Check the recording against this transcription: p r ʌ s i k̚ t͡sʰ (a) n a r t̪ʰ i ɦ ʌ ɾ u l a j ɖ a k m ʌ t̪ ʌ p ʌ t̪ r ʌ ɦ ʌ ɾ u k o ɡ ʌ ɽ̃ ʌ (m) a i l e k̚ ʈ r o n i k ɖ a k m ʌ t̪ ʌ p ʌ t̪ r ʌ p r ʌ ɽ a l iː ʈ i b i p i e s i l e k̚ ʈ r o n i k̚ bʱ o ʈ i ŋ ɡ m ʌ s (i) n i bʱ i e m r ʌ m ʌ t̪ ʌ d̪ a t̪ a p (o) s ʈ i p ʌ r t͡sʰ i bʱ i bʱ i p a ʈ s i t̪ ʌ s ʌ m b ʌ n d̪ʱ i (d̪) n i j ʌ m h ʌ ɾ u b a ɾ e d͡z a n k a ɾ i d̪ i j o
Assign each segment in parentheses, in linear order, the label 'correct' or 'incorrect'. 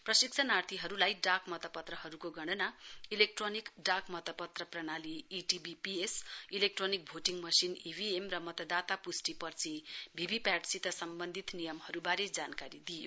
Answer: incorrect, incorrect, correct, incorrect, incorrect

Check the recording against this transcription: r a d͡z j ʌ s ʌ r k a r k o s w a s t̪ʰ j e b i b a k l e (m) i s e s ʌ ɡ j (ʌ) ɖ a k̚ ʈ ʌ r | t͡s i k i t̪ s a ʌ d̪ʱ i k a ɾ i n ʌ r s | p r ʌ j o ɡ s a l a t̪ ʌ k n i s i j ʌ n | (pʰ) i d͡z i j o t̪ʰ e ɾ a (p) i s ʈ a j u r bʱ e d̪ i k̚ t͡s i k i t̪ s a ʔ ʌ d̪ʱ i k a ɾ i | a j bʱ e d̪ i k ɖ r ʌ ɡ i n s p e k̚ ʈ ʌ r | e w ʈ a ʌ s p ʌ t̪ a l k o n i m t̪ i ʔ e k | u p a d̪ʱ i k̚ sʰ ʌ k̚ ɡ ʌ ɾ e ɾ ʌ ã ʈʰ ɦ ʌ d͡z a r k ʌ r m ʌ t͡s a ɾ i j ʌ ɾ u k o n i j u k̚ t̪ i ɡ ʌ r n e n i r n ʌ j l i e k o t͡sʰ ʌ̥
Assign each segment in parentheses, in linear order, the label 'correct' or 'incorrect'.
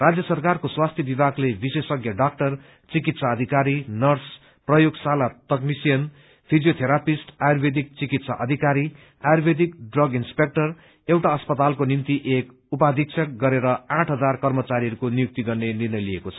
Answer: incorrect, correct, correct, correct

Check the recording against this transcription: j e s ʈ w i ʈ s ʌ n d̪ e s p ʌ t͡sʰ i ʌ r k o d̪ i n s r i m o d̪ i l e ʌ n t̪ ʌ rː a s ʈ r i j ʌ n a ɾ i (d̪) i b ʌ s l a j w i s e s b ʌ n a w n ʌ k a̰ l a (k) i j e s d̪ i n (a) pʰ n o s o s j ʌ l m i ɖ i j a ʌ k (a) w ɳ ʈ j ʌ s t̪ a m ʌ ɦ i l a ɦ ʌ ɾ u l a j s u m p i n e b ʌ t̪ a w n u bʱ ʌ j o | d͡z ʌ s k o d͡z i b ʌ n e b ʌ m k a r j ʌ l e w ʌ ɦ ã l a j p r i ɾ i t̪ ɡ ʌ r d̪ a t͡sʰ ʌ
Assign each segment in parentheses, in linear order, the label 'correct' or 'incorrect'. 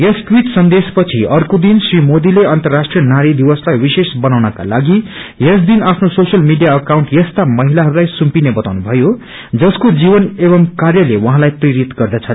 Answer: correct, incorrect, correct, correct

